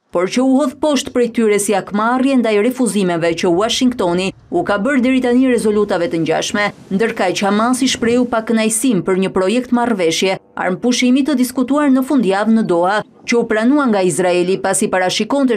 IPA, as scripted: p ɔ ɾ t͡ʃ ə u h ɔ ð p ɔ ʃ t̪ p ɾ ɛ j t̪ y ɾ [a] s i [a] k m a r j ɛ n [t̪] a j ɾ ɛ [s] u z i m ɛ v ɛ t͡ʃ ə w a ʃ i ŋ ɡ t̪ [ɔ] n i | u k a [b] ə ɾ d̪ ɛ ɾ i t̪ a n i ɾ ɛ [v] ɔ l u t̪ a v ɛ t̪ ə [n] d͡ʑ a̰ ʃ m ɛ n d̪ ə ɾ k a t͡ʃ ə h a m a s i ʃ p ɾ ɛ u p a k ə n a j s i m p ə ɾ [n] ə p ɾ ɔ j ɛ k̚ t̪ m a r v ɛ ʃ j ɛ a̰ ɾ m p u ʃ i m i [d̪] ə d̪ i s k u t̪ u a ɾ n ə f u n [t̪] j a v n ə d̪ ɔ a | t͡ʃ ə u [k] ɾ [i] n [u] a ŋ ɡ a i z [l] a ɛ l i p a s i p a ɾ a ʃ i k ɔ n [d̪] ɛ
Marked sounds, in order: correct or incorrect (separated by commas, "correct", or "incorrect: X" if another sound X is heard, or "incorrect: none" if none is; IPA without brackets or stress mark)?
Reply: incorrect: ɛ, correct, incorrect: d̪, incorrect: f, correct, correct, incorrect: z, incorrect: ɲ, incorrect: ɲ, incorrect: t̪, incorrect: d̪, incorrect: p, incorrect: a, correct, incorrect: ɾ, incorrect: t̪